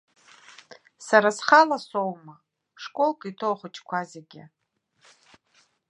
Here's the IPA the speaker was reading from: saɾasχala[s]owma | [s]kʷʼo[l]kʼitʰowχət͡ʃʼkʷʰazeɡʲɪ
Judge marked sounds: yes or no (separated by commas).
yes, no, yes